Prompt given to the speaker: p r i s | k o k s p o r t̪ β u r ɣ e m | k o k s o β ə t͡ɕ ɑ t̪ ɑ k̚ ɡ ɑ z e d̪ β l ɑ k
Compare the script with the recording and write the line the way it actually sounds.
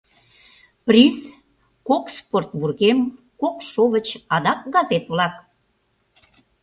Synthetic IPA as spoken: p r i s | k o k s p o r t̪ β u r ɣ e m | k o k ʃ o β ə t͡ɕ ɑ d̪ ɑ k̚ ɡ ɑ z e t̪ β l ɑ k

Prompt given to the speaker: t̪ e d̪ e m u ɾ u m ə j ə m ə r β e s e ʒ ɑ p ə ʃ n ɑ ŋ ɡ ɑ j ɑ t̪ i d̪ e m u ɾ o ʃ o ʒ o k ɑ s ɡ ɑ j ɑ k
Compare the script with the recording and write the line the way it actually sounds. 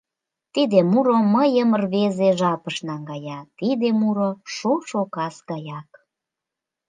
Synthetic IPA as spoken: t̪ i d̪ e m u ɾ o m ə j ə m ə r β e z e ʒ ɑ p ə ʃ n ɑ ŋ ɡ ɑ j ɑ t̪ i d̪ e m u ɾ o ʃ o ʃ o k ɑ s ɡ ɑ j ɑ k

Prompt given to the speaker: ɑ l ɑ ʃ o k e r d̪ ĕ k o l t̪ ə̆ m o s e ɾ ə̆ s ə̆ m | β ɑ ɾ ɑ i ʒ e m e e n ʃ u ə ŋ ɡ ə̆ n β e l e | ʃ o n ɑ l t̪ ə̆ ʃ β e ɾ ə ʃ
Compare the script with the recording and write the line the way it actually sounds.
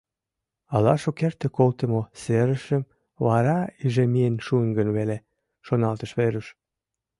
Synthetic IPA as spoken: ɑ l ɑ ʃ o k e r t̪ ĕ k o l t̪ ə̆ m o s e ɾ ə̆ ʃ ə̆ m | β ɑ ɾ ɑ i ʒ e m i e n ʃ u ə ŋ ɡ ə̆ n β e l e | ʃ o n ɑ l t̪ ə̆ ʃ β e ɾ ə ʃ

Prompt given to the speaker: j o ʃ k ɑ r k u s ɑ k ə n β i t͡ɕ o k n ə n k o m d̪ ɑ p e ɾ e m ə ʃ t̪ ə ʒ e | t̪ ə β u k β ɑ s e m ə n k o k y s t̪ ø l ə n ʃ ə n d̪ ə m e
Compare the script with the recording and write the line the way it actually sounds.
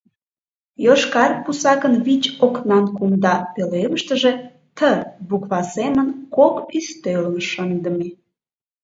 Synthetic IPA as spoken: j o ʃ k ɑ r p u s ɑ k ə n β i t͡ɕ o k n ɑ n k u m d̪ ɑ p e l e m ə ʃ t̪ ə ʒ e | t̪ ə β u k β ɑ s e m ə n k o k y s t̪ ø l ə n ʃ ə n d̪ ə m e

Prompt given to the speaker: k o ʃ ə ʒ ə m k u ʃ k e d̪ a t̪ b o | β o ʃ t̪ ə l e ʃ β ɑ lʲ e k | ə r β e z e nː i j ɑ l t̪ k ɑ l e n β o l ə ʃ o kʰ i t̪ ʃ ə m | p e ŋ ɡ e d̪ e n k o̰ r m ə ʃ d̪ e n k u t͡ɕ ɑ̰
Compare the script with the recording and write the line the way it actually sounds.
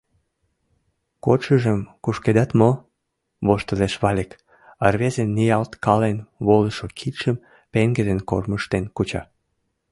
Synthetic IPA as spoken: k o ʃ ə ʒ ə m k u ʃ k e d̪ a t̪ m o | β o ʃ t̪ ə l e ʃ β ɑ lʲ e k | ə r β e z e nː i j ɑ l t̪ k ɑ l e n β o l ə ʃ o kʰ i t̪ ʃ ə m | p e ŋ ɡ e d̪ e n k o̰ r m ə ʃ t̪ e n k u t͡ɕ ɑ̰

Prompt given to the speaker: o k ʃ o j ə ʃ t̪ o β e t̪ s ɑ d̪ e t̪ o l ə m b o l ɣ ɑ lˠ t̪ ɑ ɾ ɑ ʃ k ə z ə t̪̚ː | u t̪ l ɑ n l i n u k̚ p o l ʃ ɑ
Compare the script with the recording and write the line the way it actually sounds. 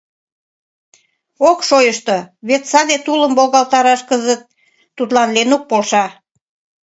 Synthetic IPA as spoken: o k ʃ o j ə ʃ t̪ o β e t̪ s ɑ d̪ e t̪ u l ə m b o l ɣ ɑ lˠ t̪ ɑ ɾ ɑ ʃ k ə z ə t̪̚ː | u t̪ l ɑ n l e n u k̚ p o l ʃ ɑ

